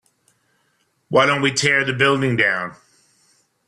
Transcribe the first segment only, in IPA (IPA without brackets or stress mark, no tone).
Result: w